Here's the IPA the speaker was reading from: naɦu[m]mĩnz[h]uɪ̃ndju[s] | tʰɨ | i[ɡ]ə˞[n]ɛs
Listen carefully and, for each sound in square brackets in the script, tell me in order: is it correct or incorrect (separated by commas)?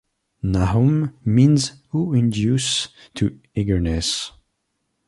correct, correct, correct, correct, correct